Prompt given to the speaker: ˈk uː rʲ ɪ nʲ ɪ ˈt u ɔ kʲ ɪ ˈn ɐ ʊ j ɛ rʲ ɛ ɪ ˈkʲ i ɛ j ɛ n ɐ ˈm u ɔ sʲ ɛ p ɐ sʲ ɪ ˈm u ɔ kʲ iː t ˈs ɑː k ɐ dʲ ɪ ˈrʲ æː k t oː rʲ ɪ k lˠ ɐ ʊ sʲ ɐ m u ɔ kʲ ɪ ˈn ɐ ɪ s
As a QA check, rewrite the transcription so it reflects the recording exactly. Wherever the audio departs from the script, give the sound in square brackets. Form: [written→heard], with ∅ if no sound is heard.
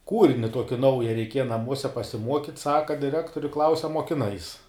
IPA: ˈk uː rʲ ɪ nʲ ɪ ˈt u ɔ kʲ ɪ ˈn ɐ ʊ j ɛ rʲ ɛ ɪ ˈkʲ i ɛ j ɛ n ɐ ˈm u ɔ sʲ ɛ p ɐ sʲ ɪ ˈm u ɔ kʲ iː t ˈs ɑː k ɐ dʲ ɪ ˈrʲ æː k t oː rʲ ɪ k lˠ ɐ ʊ sʲ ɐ m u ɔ kʲ ɪ ˈn ɐ ɪ s